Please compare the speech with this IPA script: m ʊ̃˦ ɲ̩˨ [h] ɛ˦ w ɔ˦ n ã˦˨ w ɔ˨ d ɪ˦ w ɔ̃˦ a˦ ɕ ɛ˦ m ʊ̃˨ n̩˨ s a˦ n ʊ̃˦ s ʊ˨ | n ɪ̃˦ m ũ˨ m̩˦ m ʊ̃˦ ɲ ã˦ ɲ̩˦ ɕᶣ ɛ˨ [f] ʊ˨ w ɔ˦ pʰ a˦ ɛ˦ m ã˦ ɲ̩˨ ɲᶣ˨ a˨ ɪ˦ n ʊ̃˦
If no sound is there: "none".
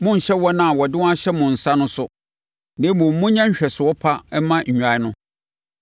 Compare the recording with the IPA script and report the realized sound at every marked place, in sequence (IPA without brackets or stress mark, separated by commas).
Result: ɕ, s